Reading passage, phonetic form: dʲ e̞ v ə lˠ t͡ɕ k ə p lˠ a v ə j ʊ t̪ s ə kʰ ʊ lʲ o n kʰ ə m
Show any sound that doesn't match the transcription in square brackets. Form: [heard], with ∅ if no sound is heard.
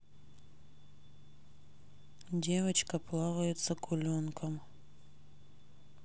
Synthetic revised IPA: dʲ e̞ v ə [∅] t͡ɕ k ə p lˠ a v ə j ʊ t̪ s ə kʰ ʊ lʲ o n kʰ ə m